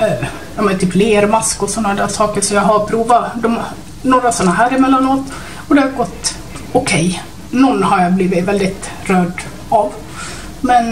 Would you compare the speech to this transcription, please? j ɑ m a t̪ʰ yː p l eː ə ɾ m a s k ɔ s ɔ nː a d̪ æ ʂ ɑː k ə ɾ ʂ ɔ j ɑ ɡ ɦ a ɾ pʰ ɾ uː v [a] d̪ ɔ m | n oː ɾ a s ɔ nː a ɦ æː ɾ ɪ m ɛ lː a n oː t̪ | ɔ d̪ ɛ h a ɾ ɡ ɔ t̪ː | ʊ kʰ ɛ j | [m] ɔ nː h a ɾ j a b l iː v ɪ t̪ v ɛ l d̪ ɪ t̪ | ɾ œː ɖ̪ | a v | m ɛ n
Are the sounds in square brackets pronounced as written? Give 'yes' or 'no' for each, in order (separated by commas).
yes, no